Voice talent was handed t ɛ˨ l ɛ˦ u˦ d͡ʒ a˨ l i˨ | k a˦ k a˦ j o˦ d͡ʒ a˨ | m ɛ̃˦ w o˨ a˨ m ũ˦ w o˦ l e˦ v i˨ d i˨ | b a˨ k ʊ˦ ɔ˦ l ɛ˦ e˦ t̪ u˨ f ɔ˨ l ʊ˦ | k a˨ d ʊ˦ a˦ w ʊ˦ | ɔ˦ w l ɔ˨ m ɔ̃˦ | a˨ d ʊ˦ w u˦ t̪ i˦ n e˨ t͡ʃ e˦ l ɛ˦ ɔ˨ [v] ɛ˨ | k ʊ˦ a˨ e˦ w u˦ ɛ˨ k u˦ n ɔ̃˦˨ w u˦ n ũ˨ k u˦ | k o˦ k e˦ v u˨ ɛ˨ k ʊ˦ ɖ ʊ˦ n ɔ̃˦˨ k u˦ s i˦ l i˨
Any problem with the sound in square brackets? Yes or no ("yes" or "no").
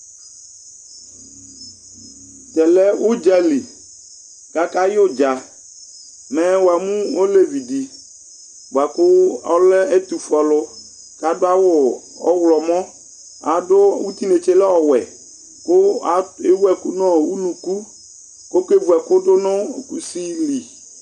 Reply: yes